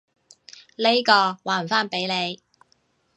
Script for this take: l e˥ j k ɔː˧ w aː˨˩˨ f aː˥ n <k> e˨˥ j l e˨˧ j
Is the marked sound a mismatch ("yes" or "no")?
yes